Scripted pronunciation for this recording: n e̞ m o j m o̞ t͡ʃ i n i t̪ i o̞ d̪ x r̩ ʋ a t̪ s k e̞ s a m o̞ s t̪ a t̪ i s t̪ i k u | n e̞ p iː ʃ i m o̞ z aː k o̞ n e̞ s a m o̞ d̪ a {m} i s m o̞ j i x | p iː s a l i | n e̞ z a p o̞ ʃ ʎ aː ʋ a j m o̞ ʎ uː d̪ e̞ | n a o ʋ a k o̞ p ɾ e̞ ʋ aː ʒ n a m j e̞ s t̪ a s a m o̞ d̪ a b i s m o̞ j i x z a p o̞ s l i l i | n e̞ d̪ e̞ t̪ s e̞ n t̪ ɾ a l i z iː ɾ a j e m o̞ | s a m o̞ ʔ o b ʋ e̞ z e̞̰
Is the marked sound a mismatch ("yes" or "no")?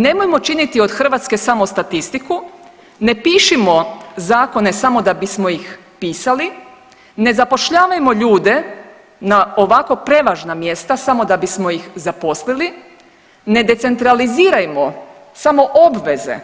yes